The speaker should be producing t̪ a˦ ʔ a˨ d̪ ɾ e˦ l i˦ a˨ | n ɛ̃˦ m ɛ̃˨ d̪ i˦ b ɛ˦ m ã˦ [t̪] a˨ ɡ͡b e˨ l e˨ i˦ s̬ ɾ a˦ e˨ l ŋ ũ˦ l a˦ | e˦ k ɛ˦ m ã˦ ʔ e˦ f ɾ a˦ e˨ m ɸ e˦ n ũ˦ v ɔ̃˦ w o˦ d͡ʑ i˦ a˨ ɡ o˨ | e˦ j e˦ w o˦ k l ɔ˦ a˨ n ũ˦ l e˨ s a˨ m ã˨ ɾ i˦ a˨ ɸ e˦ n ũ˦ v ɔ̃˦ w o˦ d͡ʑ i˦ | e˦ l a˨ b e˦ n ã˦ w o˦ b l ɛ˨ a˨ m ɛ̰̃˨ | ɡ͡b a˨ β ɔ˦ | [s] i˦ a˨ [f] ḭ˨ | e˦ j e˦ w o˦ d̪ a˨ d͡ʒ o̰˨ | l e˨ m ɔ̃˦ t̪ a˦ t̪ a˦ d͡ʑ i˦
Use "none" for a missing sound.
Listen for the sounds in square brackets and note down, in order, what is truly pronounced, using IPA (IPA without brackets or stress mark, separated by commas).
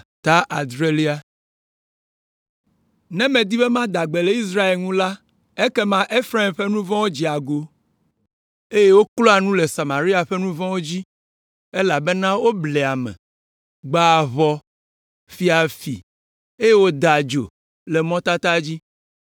d̪, f, f